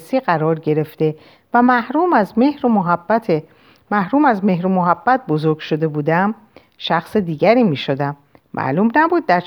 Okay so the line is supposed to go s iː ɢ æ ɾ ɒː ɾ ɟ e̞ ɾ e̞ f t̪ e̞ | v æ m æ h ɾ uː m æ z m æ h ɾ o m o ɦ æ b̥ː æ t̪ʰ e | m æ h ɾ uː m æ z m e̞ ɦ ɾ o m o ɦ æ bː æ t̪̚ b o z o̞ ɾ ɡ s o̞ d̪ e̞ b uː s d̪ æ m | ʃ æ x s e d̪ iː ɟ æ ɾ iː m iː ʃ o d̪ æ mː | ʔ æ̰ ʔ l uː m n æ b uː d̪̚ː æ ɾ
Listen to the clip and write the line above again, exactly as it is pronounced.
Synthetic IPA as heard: s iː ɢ æ ɾ ɒː ɾ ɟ e̞ ɾ e̞ f t̪ e̞ | v æ m æ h ɾ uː m æ z m e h ɾ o m o ɦ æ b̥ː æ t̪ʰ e | m æ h ɾ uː m æ z m e̞ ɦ ɾ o m o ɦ æ bː æ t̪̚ b o z o̞ ɾ ɡ ʃ o̞ d̪ e̞ b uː d̪ æ m | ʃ æ x s e d̪ iː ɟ æ ɾ iː m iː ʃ o d̪ æ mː | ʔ æ̰ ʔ l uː m n æ b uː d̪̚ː æ ɾ